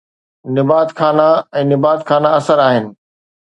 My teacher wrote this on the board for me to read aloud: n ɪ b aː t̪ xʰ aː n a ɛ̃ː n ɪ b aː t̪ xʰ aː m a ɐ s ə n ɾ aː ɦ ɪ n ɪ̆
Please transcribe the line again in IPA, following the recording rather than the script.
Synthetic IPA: n ɪ b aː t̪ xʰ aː n a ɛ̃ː n ɪ b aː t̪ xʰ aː n a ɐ s ə ɾ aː ɦ ɪ n ɪ̆